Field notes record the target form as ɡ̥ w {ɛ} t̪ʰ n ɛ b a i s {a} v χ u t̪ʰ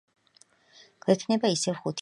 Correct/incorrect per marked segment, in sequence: correct, incorrect: ɛ

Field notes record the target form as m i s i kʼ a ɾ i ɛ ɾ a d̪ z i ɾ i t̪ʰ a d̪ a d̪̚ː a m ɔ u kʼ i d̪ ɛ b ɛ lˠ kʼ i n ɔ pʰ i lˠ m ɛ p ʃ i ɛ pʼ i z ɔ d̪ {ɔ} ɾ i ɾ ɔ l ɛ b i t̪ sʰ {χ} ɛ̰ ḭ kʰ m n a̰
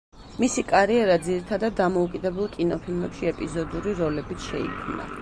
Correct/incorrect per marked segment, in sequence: incorrect: u, incorrect: ʃ

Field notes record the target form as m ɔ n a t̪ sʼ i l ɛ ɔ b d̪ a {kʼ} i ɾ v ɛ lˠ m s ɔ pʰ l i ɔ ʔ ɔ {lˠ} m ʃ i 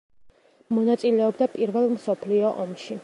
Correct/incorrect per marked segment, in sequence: incorrect: pʼ, incorrect: none

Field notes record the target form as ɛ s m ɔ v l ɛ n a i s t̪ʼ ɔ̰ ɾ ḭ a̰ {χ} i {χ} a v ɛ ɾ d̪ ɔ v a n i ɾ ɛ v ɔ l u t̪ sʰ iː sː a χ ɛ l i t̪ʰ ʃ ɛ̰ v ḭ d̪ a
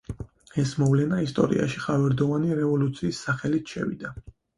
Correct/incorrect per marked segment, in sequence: incorrect: ʃ, correct

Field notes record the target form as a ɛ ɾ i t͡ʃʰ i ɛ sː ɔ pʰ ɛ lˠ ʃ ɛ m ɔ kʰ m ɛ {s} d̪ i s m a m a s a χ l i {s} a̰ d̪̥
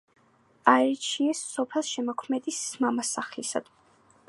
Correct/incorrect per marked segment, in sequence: incorrect: none, correct

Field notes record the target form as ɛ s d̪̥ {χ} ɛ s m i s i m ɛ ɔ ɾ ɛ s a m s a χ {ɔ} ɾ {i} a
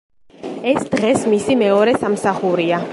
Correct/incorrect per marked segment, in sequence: incorrect: ʁ, incorrect: u, correct

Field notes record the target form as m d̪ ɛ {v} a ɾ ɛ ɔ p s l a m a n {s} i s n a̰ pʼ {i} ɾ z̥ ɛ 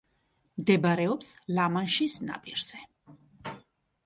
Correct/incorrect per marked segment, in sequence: incorrect: b, incorrect: ʃ, correct

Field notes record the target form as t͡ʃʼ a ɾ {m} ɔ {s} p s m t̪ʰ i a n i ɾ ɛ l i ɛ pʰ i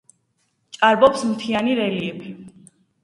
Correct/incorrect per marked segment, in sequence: incorrect: b, incorrect: none

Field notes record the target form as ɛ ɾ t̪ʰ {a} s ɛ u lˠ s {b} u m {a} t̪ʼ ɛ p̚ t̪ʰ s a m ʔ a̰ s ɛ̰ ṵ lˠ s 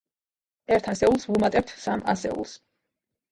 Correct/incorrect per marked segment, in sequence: correct, incorrect: v, correct

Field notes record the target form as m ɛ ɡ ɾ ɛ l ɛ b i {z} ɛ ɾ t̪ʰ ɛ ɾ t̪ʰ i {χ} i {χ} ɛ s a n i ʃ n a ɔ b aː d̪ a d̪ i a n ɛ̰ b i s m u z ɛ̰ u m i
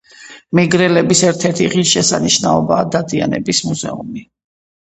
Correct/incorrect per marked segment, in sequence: incorrect: s, incorrect: ʁ, incorrect: ʃ

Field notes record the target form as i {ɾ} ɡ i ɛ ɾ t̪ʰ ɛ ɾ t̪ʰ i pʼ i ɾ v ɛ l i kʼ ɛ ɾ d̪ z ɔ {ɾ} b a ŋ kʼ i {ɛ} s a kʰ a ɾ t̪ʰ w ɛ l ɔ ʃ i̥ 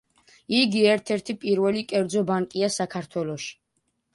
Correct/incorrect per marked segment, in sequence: incorrect: none, incorrect: none, incorrect: a

